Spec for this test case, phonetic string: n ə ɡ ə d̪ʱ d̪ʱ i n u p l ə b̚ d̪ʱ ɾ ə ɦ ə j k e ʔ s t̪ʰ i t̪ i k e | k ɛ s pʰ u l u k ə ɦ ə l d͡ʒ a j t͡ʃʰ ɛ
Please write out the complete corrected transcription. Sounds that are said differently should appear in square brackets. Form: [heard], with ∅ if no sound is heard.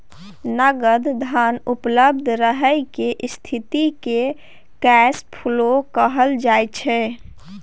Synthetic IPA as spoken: n ə ɡ ə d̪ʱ d̪ʱ [a] n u p l ə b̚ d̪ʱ ɾ ə ɦ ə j k e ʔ s t̪ʰ i t̪ i k e | k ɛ s pʰ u l [o] k ə ɦ ə l d͡ʒ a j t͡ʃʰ ɛ